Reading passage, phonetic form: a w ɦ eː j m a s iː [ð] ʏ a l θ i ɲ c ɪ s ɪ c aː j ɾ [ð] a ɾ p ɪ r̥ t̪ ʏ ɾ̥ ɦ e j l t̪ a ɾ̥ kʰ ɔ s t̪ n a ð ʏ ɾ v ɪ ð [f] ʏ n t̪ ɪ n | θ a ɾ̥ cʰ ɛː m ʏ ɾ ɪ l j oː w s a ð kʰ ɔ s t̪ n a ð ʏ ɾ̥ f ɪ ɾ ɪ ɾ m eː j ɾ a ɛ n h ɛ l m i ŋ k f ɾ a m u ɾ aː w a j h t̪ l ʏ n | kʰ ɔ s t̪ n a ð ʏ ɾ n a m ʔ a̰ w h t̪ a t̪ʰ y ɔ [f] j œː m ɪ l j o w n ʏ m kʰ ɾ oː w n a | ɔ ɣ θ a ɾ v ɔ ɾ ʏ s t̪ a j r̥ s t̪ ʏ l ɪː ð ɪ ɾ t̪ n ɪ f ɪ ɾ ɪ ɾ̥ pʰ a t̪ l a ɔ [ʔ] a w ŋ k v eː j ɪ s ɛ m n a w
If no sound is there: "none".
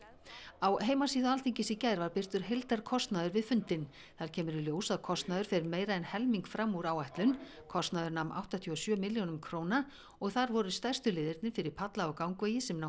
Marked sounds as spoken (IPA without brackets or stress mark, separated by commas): ð, v, f, s, k